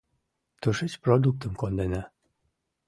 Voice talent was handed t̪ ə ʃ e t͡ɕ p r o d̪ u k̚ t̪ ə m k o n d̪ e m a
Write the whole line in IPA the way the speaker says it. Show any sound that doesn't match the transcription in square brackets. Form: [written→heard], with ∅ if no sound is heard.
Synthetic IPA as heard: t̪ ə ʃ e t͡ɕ p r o d̪ u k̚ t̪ ə m k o n d̪ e [m→n] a